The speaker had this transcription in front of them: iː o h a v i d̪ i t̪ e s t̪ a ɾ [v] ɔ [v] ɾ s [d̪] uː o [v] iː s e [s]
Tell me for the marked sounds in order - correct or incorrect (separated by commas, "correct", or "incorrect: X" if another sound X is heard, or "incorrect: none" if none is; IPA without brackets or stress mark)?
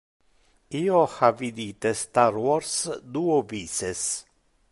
incorrect: w, incorrect: none, correct, correct, correct